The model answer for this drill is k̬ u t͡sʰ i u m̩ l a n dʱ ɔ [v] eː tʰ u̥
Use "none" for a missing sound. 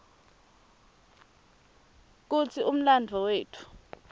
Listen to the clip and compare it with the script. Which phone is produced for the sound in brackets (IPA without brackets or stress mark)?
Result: w